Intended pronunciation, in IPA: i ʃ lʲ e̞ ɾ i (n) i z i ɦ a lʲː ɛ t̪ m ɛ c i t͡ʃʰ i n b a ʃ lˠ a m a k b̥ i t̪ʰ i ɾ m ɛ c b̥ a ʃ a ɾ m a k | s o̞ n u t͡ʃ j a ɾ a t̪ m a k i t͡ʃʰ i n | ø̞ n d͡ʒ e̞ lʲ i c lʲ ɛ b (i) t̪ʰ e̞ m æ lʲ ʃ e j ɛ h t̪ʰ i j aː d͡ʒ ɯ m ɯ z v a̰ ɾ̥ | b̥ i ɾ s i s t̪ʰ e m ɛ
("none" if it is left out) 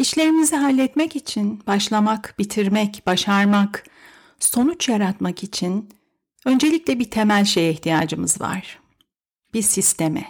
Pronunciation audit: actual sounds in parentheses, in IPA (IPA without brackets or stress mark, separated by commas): m, i